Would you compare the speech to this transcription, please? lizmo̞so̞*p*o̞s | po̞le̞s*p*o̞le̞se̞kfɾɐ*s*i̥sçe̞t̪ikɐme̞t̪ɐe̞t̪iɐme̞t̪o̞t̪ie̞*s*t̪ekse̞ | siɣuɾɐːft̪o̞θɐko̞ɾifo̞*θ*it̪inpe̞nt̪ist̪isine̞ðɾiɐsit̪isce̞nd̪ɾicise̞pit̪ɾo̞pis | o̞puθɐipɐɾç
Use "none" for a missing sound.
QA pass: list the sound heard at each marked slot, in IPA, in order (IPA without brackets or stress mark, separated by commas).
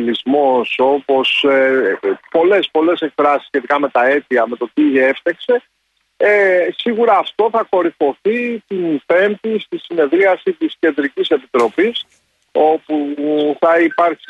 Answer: p, p, s, f, θ